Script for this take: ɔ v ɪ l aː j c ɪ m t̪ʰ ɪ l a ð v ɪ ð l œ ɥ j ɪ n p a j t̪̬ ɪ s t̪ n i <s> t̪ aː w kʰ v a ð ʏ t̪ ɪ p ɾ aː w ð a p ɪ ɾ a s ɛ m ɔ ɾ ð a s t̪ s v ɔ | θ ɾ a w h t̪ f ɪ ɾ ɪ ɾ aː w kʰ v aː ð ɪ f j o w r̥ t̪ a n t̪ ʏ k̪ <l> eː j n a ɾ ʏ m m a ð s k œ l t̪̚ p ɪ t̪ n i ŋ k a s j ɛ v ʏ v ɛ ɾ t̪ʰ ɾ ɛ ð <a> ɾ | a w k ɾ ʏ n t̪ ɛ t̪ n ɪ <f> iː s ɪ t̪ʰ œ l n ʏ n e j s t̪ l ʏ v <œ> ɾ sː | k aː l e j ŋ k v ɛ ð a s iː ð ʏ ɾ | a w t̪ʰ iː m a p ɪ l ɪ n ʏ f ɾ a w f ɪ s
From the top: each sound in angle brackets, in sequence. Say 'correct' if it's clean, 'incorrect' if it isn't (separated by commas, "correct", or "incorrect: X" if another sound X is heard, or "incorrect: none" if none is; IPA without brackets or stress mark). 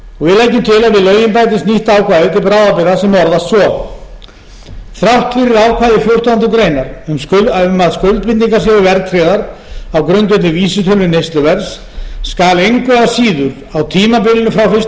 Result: incorrect: h, incorrect: ɾ, correct, incorrect: v, incorrect: ɛ